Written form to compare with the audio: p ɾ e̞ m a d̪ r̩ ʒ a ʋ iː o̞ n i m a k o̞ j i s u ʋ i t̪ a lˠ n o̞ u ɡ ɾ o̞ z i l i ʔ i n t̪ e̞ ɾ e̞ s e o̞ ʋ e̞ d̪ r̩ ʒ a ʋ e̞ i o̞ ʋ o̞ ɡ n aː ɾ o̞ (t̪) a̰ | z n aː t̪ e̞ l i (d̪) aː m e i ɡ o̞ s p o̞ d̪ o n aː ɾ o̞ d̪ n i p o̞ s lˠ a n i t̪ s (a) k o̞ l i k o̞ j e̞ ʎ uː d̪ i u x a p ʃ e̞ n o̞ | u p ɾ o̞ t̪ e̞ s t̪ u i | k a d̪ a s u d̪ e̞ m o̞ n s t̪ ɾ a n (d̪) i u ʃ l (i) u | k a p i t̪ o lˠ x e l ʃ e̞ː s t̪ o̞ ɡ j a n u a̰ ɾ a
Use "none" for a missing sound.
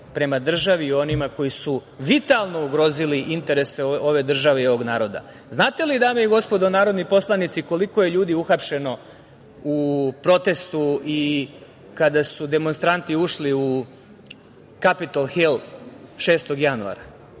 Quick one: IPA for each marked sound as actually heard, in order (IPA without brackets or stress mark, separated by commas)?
d̪, d̪, i, t̪, i